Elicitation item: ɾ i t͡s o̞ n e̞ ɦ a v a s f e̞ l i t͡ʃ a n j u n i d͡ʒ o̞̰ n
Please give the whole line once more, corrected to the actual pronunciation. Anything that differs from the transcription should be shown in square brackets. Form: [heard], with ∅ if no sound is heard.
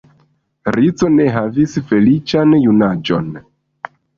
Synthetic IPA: ɾ i t͡s o̞ n e̞ ɦ a v [i] s f e̞ l i t͡ʃ a n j u n [a] d͡ʒ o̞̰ n